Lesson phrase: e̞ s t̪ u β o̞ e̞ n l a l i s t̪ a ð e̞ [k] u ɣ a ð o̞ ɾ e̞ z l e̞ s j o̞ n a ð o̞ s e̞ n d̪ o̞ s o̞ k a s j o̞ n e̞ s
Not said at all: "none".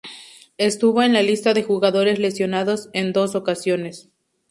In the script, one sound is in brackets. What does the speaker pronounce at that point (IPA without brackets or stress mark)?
x